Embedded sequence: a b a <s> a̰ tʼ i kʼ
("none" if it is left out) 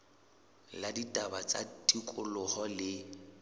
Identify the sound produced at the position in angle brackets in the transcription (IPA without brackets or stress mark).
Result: t͡s